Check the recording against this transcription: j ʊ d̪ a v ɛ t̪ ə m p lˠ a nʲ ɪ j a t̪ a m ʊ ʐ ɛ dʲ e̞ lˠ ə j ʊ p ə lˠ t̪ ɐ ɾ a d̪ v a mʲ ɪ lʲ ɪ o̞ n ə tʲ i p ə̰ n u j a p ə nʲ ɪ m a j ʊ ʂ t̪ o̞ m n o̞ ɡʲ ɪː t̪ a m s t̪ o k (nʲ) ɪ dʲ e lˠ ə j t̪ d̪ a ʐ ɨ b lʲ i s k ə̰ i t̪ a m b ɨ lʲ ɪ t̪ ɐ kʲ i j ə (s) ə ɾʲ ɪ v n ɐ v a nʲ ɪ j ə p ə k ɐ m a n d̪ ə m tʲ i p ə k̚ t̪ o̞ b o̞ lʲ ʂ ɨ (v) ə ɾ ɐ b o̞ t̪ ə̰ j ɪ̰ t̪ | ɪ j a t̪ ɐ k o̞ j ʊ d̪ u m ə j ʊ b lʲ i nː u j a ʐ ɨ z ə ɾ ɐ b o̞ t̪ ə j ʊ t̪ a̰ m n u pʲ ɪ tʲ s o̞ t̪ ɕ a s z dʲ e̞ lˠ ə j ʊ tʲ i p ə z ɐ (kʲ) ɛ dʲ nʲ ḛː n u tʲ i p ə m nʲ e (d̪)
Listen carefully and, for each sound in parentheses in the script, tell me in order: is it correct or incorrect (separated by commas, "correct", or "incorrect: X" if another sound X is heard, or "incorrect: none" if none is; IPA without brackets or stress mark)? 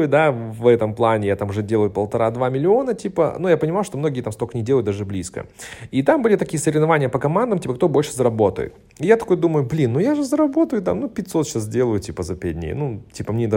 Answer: correct, correct, incorrect: z, incorrect: pʲ, correct